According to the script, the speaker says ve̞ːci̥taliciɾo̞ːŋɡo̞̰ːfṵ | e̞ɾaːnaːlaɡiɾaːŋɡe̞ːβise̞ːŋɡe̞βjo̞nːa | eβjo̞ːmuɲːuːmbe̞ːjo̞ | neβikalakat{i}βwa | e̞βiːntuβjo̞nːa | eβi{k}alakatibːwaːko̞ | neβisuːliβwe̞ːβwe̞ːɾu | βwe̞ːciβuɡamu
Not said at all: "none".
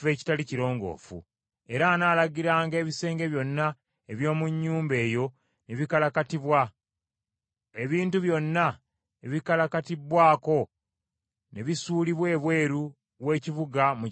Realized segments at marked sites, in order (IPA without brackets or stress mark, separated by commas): i, k